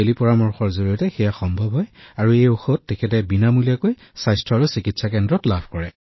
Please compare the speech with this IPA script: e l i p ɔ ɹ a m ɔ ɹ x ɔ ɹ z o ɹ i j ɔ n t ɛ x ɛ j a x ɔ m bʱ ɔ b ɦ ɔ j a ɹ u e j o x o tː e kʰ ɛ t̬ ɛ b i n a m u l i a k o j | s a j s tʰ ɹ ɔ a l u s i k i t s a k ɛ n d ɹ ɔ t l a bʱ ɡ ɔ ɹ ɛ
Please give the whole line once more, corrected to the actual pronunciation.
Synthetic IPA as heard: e l i p ɔ ɹ a m ɔ ɹ x ɔ ɹ z o ɹ i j ɔ t ɛ x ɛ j a x ɔ m bʱ ɔ b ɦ ɔ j a ɹ u e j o x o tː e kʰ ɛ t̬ ɛ b i n a m u l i a k o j | s a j s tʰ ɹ ɔ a ɹ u s i k i t s a k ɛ n d ɹ ɔ t l a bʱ k ɔ ɹ ɛ

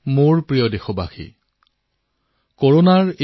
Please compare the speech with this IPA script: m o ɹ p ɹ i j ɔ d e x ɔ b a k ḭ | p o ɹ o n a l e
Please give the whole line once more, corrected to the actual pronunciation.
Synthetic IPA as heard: m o ɹ p ɹ i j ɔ d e x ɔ b a x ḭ | k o ɹ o n a ɹ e

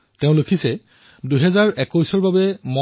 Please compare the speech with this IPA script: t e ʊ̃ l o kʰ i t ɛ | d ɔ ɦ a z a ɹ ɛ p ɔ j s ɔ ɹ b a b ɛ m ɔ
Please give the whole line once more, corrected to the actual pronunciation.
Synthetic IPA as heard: t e ʊ̃ l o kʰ i s ɛ | d u ɦ ɛ z a ɹ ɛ k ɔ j s ɔ ɹ b a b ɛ m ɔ

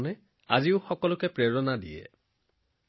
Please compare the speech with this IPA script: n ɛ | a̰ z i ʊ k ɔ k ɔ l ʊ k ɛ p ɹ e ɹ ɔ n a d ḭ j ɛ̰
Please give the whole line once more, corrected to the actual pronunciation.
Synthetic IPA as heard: n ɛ | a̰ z i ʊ x ɔ k ɔ l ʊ k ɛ p ɹ e ɹ ɔ n a d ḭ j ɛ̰

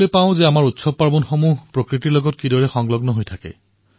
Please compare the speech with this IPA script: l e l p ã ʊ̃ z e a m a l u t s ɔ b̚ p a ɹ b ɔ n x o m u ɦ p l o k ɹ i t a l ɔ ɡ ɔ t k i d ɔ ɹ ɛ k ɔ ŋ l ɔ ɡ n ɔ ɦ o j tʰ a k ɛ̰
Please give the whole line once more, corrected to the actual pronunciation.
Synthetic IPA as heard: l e p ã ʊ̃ z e a m a ɹ u t s ɔ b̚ p a ɹ b ɔ n x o m u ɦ p ɹ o k ɹ i t i l ɔ ɡ ɔ t k i d ɔ ɹ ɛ x ɔ ŋ l ɔ ɡ n ɔ ɦ o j tʰ a k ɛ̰

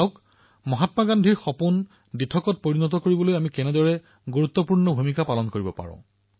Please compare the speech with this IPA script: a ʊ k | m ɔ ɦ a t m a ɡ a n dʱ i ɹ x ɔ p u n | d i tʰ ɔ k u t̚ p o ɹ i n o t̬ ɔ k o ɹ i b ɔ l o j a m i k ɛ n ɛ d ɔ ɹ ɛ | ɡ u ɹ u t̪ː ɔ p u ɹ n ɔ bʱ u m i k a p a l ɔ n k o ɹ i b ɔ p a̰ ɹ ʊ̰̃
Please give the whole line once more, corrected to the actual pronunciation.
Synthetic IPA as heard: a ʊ k | m ɔ ɦ a t m a ɡ a n dʱ i ɹ x ɔ p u n | d i tʰ ɔ k ɔ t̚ p o ɹ i n ɔ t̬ ɔ k o ɹ i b ɔ l o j a m i k ɛ n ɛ d ɔ ɹ ɛ | ɡ u ɹ u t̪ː ɔ p u ɹ n ɔ bʱ u m i k a p a l ɔ n k o ɹ i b ɔ p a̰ ɹ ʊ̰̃

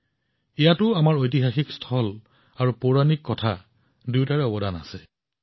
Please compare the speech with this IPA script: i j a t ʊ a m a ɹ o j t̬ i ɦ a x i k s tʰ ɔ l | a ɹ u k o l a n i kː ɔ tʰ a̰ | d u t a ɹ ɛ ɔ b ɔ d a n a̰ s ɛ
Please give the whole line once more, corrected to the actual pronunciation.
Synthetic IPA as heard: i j a t ʊ a m a ɹ o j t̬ i ɦ a x i k s tʰ ɔ l | a ɹ u p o ɹ a n i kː ɔ tʰ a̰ | d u t a ɹ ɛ ɔ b ɔ d a n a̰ s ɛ

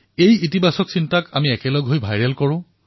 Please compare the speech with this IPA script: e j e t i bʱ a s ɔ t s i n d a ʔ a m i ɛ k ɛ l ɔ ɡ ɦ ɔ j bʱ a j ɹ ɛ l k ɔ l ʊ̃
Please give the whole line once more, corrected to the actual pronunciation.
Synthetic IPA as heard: e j i t i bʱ a s ɔ k s i n t a k a m i ɛ k ɛ l ɔ ɡ ɦ o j bʱ a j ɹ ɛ l k ɔ ɹ ʊ̃

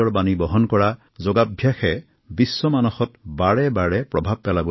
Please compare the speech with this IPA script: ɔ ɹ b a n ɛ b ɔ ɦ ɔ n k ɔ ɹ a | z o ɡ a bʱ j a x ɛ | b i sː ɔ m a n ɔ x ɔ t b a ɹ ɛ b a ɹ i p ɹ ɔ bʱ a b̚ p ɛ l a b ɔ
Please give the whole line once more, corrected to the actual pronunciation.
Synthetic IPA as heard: ɔ ɹ b a n i b ɔ ɦ ɔ n k ɔ ɹ a | z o ɡ a bʱ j a x ɛ | b i sː ɔ m a n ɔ x ɔ t b a ɹ ɛ b a ɹ ɛ p ɹ ɔ bʱ a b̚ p ɛ l a b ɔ

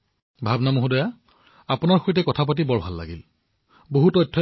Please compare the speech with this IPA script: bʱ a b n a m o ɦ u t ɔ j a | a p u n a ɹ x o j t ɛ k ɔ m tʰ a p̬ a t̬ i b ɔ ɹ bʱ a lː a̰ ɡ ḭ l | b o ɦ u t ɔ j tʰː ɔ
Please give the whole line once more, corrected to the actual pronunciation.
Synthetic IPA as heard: bʱ a b n a m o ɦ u d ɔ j a | a p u n a ɹ x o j t ɛ k ɔ tʰ a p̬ a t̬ i b ɔ ɹ bʱ a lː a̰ ɡ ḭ l | b o ɦ u t ɔ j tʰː ɔ

